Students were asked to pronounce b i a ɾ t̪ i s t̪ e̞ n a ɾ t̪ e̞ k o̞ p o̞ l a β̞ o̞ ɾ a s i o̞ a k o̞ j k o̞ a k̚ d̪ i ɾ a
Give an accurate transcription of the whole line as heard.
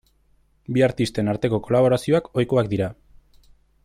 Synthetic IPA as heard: b i a ɾ t̪ i s t̪ e̞ n a ɾ t̪ e̞ k o̞ k o̞ l a β̞ o̞ ɾ a s i o̞ a k o̞ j k o̞ a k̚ d̪ i ɾ a